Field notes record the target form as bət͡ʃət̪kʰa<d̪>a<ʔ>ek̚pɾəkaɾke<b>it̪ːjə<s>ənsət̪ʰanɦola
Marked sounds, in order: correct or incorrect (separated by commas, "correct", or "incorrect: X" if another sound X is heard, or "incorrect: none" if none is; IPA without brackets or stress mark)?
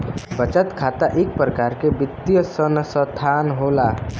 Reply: incorrect: t̪, correct, correct, correct